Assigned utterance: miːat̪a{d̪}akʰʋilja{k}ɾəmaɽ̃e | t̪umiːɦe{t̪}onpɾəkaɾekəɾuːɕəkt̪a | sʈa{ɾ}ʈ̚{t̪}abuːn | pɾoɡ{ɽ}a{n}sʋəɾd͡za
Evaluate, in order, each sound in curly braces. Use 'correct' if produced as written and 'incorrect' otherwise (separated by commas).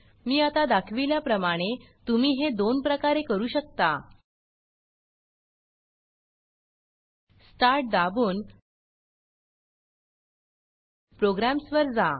correct, incorrect, incorrect, correct, incorrect, incorrect, incorrect